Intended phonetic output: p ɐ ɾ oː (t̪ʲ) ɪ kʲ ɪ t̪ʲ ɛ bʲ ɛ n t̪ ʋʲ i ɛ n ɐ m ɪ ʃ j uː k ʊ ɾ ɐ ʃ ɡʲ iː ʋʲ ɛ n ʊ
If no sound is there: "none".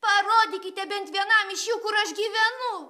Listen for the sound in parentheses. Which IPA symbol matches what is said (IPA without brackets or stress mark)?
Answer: d̪ʲ